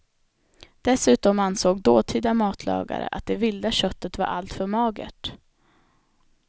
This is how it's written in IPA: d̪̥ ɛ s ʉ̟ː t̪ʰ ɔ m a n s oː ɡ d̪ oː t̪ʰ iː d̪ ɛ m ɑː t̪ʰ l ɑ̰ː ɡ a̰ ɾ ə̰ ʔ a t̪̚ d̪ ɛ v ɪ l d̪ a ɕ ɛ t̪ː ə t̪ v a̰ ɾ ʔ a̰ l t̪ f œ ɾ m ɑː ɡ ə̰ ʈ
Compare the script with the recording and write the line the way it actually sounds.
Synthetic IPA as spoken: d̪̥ ɛ s ʉ̟ː t̪ ɔ m a n s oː ɡ d̪ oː t̪ʰ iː d̪ a m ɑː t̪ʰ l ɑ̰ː ɡ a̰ ɾ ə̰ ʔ a t̪̚ d̪ ɛ v ɪ l d̪ a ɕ œ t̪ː ə t̪ v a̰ ɾ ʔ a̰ l t̪ f œ ɾ m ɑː ɡ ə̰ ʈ